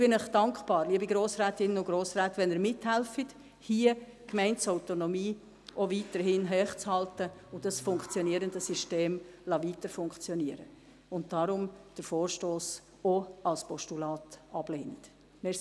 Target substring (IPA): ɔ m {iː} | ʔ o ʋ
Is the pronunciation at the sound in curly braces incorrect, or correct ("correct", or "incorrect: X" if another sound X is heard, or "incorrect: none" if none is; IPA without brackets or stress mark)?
correct